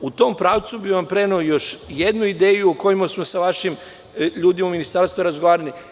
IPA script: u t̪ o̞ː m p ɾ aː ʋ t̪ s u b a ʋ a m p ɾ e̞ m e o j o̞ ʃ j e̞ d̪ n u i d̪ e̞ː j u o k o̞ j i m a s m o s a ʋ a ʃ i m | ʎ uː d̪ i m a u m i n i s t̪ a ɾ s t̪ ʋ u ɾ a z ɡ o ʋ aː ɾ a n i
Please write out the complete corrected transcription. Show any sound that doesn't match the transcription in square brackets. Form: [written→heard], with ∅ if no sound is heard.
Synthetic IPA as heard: u t̪ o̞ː m p ɾ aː ʋ t̪ s u b [a→i] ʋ a m p ɾ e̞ [m→n] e o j o̞ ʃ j e̞ d̪ n u i d̪ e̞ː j u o k o̞ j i m a s m o s a ʋ a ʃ i m | ʎ uː d̪ i m a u m i n i s t̪ a ɾ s t̪ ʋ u ɾ a z ɡ o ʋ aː ɾ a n i